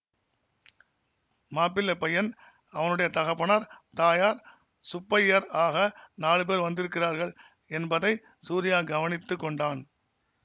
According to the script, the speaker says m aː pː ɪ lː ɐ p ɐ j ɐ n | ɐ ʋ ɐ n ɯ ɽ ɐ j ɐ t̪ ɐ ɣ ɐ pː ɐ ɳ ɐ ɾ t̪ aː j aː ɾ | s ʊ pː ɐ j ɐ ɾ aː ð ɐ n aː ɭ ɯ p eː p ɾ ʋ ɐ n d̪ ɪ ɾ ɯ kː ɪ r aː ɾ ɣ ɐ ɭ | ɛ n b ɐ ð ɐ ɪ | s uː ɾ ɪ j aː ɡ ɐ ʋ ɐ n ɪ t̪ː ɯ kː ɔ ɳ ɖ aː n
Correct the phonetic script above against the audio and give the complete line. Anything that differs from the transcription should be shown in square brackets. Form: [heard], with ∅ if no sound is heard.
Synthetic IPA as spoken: m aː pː ɪ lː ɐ p ɐ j ɐ n | ɐ ʋ ɐ n ɯ ɽ ɐ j ɐ t̪ ɐ ɣ ɐ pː ɐ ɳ ɐ ɾ t̪ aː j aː ɾ | s ʊ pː ɐ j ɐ ɾ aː [ɣ] ɐ n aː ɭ ɯ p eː [∅] ɾ ʋ ɐ n d̪ ɪ ɾ ɯ kː ɪ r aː ɾ ɣ ɐ ɭ | ɛ n b ɐ ð ɐ ɪ | s uː ɾ ɪ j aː ɡ ɐ ʋ ɐ n ɪ t̪ː ɯ kː ɔ ɳ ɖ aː n